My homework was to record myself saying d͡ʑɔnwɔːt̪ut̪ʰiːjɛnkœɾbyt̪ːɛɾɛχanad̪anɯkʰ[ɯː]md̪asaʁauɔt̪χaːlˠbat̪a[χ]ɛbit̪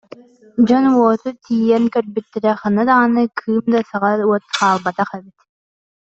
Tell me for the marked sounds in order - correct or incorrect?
correct, correct

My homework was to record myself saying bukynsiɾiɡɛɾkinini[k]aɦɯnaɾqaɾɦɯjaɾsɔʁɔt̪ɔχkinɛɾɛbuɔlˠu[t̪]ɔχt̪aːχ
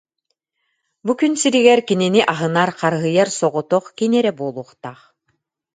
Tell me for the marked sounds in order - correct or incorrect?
incorrect: ʔ, incorrect: none

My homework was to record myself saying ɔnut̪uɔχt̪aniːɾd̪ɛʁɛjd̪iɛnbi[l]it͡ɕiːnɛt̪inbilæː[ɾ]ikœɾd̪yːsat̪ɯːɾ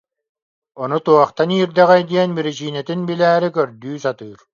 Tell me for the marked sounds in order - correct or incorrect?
incorrect: ɾ, correct

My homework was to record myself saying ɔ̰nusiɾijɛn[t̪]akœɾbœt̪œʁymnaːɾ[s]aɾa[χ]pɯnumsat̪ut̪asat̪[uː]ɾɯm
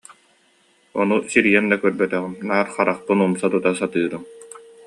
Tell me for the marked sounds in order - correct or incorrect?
incorrect: d̪, incorrect: χ, correct, incorrect: ɯː

